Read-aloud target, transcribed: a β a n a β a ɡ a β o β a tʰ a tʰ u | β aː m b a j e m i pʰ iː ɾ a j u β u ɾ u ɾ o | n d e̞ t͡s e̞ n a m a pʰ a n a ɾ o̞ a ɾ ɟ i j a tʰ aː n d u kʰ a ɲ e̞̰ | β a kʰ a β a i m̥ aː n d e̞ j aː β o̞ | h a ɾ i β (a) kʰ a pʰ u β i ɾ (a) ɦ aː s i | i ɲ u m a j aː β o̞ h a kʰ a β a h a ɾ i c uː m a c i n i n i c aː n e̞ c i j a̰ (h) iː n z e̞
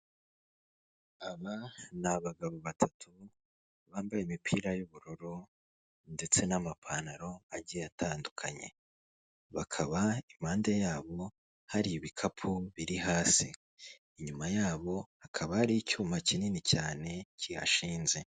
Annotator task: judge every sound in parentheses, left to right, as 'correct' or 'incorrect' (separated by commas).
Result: incorrect, incorrect, incorrect